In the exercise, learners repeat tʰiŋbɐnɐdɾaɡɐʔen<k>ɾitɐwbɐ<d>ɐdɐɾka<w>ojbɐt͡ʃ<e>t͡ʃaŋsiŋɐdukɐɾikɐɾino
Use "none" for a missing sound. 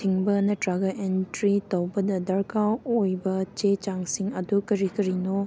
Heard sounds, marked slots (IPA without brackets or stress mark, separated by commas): t, d, w, e